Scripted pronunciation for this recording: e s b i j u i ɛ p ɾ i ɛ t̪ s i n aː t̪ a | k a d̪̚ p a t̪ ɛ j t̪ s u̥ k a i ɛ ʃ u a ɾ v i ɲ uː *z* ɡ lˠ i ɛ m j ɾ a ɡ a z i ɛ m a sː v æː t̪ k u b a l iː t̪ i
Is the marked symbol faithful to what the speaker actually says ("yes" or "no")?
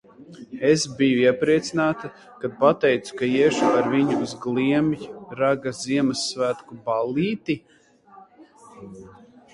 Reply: yes